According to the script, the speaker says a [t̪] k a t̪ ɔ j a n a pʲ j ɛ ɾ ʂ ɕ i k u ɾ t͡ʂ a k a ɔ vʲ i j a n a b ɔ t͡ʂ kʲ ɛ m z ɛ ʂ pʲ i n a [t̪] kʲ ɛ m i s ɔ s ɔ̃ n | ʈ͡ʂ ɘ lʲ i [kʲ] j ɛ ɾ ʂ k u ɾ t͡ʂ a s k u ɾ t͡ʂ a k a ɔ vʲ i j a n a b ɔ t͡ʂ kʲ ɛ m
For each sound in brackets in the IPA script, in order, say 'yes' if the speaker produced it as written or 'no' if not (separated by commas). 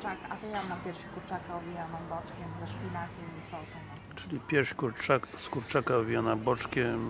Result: no, no, no